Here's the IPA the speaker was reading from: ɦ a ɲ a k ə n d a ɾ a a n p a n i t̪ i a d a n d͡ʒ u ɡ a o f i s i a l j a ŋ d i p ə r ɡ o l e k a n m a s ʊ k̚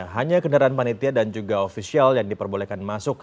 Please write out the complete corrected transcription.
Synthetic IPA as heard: ɦ a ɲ a k ə n d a ɾ a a n p a n i t̪ i a d a n d͡ʒ u ɡ a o f i s i a l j a ŋ d i p ə r b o l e k a n m a s ʊ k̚